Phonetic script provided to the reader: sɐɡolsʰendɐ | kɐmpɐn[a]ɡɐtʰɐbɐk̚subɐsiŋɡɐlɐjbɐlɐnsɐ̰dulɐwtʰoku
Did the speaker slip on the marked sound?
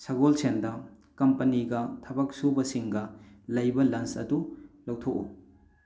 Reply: yes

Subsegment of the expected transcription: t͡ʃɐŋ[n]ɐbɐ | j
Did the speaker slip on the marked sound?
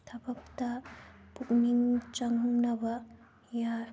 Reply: no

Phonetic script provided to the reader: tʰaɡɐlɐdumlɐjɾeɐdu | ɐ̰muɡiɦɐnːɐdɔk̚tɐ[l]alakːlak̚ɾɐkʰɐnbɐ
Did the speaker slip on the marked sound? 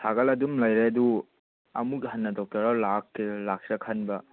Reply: yes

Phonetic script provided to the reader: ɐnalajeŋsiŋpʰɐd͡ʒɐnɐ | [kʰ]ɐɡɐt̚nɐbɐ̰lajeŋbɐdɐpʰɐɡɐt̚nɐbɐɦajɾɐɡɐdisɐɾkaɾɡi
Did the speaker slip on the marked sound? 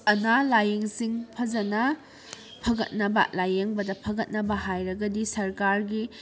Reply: yes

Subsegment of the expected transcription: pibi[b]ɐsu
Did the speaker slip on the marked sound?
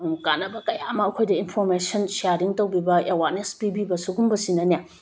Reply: no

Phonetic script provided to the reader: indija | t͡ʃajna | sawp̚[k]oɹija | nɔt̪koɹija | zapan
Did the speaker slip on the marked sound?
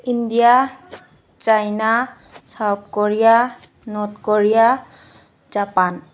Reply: no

